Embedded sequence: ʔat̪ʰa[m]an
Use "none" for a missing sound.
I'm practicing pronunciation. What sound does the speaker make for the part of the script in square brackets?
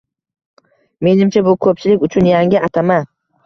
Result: m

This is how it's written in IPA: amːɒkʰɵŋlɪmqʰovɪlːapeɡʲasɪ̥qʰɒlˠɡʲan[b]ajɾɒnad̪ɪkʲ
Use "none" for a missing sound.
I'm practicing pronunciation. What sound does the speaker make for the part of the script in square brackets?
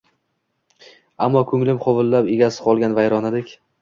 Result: v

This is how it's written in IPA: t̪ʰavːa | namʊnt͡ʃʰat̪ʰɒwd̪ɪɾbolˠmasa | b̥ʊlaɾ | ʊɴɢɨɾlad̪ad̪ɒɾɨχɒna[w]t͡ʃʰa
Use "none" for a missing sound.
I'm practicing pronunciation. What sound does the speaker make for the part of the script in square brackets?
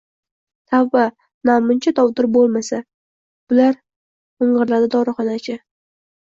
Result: none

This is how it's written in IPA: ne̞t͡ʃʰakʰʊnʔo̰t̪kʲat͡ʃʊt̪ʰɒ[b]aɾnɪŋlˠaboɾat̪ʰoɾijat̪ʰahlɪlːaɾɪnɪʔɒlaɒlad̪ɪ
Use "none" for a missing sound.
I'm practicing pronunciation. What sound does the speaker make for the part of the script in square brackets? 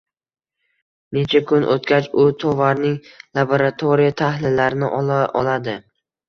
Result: v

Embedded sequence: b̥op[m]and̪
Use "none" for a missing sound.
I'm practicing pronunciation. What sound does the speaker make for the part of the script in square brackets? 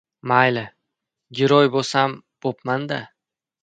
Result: m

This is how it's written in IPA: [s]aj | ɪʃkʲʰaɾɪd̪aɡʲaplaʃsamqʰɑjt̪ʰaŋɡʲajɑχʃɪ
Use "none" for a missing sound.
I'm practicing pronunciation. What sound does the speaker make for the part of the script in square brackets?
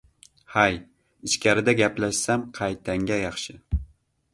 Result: h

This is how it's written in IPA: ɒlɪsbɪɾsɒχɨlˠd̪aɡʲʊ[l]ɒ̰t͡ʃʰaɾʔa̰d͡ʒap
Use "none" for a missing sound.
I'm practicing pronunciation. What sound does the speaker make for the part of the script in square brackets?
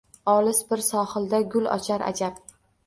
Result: l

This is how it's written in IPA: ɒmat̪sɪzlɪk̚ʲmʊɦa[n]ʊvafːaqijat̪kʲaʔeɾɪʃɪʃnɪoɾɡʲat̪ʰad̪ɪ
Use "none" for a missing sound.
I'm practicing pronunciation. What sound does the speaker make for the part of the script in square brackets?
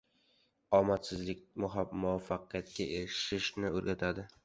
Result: m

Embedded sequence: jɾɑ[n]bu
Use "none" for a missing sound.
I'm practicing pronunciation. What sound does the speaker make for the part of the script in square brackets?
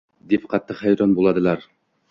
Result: n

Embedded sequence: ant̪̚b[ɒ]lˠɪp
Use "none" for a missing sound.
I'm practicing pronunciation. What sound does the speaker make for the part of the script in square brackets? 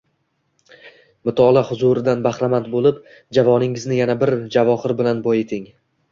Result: o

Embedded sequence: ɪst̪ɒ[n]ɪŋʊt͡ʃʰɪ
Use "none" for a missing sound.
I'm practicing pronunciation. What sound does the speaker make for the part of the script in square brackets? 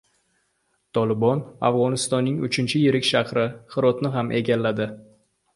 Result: nː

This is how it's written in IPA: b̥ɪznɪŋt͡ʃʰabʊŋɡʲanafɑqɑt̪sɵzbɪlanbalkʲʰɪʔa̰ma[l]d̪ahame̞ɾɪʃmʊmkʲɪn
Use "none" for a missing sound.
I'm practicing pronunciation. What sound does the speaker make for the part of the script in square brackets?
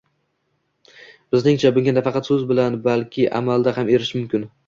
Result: l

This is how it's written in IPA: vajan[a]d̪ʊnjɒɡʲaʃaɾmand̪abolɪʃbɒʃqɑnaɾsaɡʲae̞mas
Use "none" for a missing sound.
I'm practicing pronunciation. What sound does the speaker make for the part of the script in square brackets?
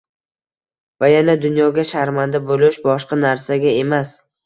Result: a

